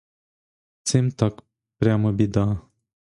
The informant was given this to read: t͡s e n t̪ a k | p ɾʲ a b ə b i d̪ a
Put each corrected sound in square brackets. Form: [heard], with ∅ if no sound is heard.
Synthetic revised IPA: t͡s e [m] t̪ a k | p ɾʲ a [m] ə b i d̪ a